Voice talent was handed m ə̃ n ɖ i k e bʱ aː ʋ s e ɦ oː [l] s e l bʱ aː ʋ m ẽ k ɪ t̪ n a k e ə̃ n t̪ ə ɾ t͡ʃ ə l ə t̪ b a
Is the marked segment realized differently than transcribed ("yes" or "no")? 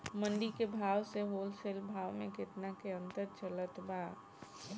no